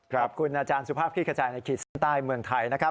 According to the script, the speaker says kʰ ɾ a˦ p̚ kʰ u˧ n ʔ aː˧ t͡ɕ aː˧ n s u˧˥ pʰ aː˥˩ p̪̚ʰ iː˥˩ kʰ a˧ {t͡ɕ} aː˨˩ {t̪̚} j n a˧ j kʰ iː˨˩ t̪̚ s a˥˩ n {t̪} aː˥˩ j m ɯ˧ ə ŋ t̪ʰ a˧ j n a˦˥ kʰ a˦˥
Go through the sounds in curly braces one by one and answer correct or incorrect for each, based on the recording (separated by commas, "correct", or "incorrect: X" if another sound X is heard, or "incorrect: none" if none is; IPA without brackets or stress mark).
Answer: correct, incorrect: none, correct